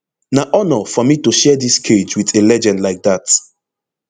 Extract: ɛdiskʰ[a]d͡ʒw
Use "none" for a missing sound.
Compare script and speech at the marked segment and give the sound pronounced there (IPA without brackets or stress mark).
e